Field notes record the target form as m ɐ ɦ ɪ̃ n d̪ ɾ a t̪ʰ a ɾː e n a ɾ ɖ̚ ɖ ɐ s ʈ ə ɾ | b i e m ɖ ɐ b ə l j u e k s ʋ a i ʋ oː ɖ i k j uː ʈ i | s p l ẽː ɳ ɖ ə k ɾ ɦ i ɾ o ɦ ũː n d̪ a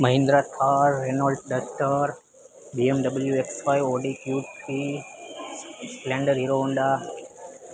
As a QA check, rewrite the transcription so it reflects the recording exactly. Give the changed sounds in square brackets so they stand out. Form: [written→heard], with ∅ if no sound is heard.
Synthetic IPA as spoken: m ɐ ɦ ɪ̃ n d̪ ɾ a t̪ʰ a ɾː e n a [ɾ→l] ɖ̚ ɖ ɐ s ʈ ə ɾ | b i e m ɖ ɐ b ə l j u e k s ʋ a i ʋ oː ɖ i k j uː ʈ i | s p l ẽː ɳ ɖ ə [k→∅] ɾ ɦ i ɾ o ɦ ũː n d̪ a